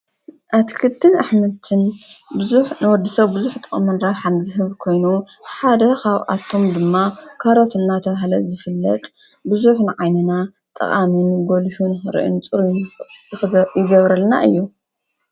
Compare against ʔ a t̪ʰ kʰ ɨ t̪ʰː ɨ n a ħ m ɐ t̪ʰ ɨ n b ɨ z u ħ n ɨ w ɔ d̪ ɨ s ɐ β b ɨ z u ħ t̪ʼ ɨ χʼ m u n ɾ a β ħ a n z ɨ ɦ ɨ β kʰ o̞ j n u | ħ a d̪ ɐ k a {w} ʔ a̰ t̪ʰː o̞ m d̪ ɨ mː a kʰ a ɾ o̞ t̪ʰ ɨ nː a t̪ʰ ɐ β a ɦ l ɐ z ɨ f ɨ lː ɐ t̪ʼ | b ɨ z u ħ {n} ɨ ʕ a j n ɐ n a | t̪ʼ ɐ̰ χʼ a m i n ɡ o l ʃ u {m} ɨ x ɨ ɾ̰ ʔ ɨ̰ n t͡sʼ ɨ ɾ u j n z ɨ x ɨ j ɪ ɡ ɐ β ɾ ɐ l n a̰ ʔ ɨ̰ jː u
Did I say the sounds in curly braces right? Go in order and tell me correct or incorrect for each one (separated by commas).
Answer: incorrect, correct, incorrect